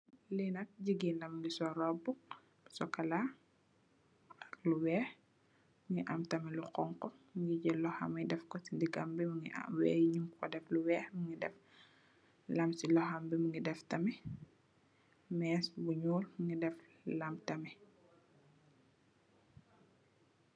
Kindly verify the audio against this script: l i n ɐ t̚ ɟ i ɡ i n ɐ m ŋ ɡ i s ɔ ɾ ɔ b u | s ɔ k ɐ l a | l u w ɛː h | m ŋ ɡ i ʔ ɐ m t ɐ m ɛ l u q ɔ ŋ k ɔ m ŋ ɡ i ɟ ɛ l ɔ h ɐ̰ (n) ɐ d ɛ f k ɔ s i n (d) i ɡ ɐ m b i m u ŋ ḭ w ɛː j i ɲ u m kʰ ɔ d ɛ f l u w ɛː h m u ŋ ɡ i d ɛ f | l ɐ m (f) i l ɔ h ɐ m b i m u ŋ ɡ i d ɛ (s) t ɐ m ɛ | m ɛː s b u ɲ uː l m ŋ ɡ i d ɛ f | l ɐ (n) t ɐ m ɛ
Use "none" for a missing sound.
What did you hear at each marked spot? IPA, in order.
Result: m, d, s, f, m

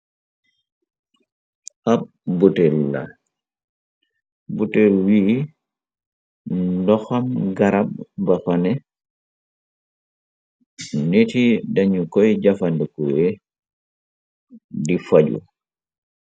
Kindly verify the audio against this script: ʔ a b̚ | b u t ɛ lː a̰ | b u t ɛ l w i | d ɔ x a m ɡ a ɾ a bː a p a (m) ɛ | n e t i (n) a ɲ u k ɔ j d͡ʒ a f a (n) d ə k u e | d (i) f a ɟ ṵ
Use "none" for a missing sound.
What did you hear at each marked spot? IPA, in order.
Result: n, d, n, i

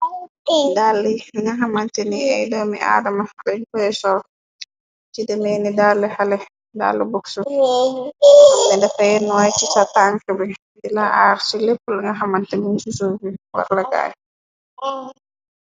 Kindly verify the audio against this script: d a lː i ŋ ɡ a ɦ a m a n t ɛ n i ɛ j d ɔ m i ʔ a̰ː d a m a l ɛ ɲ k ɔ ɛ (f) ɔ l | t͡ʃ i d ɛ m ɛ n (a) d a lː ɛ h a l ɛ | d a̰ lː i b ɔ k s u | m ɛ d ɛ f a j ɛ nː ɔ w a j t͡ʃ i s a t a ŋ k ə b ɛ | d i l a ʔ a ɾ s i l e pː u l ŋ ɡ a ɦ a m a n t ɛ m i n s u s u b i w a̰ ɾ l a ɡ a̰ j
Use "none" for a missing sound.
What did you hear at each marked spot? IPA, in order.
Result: s, i

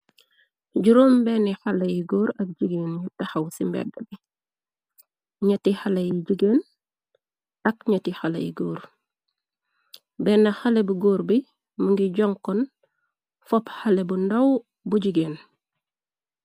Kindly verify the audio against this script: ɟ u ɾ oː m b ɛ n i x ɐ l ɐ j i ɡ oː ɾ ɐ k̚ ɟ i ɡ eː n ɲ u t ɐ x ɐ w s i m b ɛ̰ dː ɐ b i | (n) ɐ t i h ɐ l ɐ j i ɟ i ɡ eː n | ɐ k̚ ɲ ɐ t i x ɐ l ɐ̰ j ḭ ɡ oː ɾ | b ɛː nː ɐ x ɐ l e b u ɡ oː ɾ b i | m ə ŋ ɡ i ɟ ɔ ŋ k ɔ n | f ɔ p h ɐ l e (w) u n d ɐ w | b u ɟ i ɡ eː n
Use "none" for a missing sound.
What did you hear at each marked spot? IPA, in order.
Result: ɲ, b

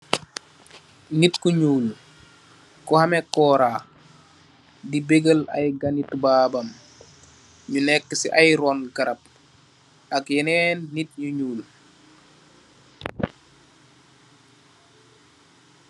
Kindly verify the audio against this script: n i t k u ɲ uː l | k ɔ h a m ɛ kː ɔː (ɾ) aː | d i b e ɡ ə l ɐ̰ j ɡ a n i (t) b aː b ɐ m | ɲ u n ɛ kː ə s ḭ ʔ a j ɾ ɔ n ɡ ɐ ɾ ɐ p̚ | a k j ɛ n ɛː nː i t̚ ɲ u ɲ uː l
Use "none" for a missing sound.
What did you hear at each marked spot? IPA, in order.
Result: ɾ, t

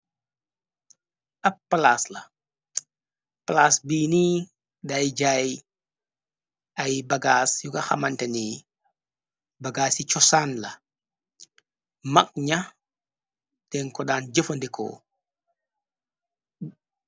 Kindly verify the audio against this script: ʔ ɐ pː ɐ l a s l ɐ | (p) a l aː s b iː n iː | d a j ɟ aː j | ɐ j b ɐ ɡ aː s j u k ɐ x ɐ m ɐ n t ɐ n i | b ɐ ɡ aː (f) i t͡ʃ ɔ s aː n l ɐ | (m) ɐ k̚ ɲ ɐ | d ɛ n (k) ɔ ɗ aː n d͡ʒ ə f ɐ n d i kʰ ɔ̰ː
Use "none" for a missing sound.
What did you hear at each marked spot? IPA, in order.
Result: p, s, m, k

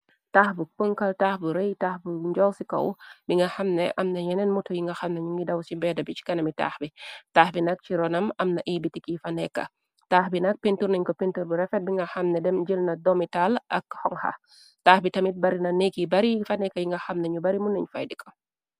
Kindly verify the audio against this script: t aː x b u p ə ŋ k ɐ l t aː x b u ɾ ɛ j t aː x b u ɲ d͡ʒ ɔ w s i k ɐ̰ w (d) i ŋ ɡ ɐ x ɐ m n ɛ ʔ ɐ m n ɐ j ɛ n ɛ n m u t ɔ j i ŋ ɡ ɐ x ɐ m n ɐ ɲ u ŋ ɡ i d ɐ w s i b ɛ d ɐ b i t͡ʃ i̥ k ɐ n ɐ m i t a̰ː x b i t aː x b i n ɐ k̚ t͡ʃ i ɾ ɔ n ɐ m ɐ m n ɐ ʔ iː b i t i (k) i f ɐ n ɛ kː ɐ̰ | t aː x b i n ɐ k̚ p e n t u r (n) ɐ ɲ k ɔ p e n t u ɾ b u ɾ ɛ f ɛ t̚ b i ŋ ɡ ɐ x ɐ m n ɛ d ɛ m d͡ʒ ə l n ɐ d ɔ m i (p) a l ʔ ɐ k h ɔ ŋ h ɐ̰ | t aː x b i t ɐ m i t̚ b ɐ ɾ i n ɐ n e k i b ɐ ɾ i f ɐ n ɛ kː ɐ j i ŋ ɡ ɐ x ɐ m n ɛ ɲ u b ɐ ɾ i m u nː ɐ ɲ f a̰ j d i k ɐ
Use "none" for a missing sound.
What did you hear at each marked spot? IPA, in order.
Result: b, k, n, t

